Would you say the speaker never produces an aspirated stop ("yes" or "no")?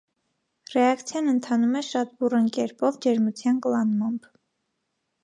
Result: no